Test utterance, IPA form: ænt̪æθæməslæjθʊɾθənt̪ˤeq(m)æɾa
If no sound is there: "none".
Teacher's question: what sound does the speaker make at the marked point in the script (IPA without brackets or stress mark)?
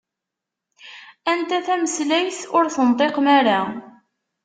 m